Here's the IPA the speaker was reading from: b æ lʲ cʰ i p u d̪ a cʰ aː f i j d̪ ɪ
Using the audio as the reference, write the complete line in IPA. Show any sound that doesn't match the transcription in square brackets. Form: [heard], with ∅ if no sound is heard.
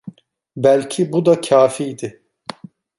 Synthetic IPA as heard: b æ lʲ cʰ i [b] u d̪ a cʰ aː f i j d̪ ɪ